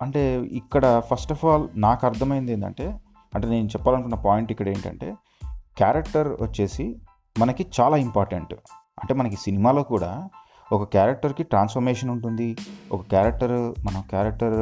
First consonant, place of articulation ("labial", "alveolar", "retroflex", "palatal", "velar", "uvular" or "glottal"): retroflex